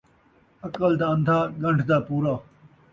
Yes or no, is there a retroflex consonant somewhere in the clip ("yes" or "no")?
yes